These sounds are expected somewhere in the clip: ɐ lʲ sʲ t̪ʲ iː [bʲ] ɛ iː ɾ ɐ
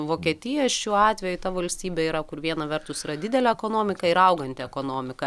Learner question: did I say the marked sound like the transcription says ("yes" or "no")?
yes